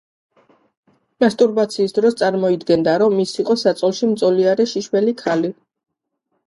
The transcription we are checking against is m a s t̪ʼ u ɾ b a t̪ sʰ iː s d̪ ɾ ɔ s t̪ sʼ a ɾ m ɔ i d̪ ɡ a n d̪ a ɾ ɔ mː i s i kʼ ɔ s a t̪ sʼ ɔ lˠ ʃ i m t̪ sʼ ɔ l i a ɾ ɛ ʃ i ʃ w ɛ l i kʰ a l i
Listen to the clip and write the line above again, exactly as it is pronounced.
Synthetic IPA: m a s t̪ʼ u ɾ b a t̪ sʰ iː s d̪ ɾ ɔ s t̪ sʼ a ɾ m ɔ i d̪ ɡ ɛ n d̪ a ɾ ɔ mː i s i qʼ ɔ s a t̪ sʼ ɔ lˠ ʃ i m t̪ sʼ ɔ l i a ɾ ɛ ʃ i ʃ w ɛ l i kʰ a l i